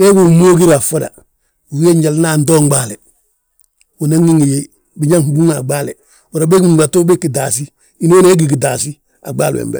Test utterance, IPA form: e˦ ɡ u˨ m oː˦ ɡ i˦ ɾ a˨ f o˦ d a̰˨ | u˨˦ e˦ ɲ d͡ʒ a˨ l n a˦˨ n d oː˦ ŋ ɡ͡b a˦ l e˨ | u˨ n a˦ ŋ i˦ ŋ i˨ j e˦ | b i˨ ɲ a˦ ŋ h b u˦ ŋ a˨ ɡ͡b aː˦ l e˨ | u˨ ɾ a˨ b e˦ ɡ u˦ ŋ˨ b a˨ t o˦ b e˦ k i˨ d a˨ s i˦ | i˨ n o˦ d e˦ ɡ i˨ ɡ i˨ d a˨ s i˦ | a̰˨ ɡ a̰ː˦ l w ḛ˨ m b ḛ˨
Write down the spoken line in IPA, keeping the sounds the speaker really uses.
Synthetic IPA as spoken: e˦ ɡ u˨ m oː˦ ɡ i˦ ɾ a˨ f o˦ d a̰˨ | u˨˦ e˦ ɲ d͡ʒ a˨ l n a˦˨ n d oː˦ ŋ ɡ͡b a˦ l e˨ | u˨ n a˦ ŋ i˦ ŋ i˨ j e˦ | b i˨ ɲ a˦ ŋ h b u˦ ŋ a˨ ɡ͡b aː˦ l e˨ | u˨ ɾ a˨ b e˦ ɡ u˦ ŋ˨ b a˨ t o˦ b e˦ k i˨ d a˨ s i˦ | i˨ n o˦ n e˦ ɡ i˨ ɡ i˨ d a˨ s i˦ | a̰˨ ɡ͡b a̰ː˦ l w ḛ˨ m b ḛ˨